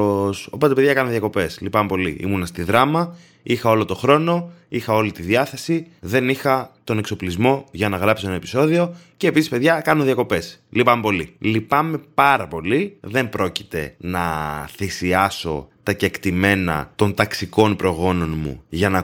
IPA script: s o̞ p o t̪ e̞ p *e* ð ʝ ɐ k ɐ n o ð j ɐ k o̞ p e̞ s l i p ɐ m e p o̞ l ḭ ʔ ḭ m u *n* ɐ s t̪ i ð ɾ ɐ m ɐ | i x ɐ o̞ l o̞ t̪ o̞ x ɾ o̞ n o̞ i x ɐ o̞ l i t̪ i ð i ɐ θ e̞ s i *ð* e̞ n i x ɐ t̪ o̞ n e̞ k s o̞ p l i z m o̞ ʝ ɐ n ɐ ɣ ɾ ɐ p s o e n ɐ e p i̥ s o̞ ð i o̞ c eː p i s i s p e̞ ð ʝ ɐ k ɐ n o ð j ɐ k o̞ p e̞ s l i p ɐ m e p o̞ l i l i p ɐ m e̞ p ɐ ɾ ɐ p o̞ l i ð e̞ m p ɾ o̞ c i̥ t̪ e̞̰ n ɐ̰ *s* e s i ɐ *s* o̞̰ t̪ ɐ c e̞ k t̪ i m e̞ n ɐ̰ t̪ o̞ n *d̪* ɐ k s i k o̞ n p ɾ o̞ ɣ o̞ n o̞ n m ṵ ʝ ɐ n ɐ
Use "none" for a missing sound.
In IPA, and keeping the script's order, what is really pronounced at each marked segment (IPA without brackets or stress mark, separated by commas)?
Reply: e, n, ð, θ, s, t̪